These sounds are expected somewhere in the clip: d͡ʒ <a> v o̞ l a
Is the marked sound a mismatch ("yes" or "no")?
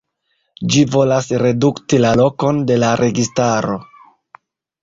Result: yes